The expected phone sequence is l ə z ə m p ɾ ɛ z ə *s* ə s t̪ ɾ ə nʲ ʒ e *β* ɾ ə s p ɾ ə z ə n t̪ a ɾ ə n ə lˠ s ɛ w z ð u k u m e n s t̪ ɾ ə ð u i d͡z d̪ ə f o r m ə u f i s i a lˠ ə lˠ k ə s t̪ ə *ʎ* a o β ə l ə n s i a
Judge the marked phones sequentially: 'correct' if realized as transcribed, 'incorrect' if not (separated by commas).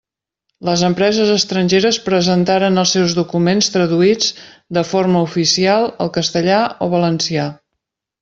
incorrect, incorrect, correct